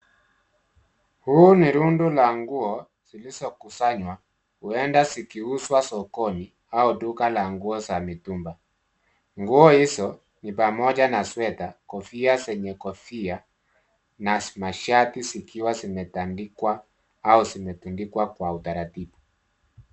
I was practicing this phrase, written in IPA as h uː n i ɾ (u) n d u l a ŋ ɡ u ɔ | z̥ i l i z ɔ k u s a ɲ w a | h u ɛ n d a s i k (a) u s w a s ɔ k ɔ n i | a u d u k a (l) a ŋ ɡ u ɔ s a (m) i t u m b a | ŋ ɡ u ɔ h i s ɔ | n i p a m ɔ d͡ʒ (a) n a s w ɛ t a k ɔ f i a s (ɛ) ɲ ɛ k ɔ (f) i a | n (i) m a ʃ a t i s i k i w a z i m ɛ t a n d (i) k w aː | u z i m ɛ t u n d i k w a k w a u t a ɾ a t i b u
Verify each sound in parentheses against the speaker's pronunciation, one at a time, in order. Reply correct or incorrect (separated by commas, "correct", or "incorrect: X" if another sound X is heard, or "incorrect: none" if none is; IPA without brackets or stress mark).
correct, incorrect: i, correct, correct, correct, correct, correct, incorrect: a, correct